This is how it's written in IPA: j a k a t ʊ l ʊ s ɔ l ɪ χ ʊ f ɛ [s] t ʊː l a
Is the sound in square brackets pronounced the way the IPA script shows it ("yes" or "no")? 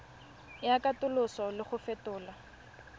no